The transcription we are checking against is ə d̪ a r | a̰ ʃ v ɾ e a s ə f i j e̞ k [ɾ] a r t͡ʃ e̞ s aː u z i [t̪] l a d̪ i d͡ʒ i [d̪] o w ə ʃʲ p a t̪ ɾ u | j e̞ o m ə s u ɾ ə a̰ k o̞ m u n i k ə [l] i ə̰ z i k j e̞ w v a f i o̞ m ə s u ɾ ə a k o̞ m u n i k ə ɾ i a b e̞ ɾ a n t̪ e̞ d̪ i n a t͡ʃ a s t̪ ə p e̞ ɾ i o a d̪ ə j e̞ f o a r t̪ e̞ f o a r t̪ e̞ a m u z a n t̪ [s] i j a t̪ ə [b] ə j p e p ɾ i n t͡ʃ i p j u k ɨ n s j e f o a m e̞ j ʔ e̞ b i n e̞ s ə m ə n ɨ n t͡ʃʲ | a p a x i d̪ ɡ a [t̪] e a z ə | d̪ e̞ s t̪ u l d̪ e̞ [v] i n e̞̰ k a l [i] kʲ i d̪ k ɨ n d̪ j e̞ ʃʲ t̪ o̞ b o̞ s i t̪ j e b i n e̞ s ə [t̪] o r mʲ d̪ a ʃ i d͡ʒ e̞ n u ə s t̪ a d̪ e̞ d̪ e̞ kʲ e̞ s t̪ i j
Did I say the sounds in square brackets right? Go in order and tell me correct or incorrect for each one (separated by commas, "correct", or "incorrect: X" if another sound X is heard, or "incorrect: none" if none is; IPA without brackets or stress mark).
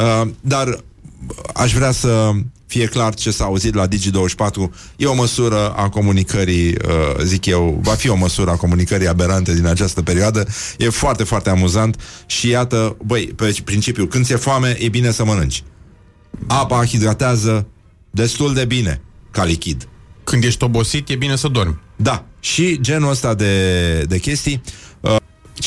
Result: incorrect: l, correct, correct, incorrect: ɾ, incorrect: ʃ, correct, correct, incorrect: b, correct, incorrect: d̪